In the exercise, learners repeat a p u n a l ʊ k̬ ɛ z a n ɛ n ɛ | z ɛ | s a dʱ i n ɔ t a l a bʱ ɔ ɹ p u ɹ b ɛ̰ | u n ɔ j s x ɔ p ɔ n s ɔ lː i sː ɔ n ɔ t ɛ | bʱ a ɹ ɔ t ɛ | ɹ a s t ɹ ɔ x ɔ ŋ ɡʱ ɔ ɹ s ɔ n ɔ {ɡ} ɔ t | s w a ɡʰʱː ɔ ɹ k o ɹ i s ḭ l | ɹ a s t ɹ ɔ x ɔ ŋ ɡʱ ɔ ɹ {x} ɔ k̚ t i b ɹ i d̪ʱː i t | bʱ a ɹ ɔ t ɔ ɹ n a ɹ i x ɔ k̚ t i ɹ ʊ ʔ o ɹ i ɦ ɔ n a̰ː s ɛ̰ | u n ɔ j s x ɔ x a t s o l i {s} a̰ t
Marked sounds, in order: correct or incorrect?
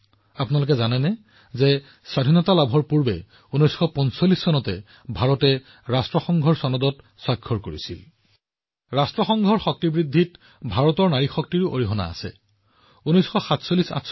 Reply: incorrect: d, correct, correct

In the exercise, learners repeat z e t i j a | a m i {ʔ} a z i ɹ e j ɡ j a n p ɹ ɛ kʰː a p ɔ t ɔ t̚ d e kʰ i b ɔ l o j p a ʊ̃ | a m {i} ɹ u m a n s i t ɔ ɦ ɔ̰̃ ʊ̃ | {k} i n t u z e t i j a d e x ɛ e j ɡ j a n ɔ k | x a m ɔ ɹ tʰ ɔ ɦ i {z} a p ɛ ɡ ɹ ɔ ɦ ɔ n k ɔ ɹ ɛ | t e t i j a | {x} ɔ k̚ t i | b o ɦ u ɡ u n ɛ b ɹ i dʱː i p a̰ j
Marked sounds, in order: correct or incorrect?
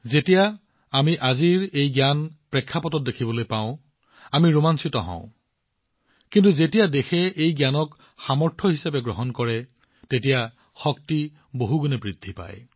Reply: correct, correct, correct, incorrect: s, correct

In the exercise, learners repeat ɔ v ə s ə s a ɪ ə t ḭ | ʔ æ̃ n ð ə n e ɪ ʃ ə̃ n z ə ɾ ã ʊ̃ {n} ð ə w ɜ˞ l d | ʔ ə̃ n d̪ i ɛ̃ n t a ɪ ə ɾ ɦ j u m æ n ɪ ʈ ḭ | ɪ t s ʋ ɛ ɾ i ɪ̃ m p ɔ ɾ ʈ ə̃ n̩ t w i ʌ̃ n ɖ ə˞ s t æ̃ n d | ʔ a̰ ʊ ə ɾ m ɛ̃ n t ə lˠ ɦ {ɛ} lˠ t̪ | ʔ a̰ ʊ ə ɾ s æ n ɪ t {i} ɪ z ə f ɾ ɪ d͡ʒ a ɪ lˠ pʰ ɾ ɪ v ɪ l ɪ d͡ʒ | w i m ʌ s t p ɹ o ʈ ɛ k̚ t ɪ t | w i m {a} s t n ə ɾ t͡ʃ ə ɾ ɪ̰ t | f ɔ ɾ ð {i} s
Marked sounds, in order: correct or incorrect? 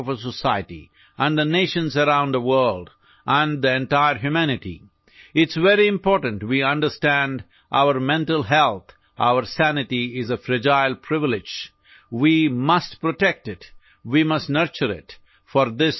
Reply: correct, correct, correct, incorrect: ʌ, incorrect: ɪ

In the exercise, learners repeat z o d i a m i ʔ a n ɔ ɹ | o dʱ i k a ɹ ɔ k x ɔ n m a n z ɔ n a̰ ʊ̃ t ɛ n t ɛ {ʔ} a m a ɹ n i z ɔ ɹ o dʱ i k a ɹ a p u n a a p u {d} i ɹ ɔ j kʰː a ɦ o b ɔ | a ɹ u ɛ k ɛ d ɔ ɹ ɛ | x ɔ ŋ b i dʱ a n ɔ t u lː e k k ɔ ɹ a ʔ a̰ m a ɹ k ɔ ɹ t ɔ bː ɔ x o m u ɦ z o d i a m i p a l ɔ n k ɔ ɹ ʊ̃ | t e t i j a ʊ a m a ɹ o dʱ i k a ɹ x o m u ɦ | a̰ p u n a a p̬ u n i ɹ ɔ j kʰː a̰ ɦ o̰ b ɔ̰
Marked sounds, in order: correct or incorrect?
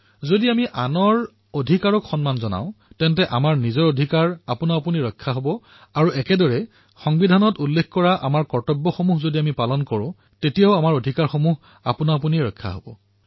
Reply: correct, incorrect: n

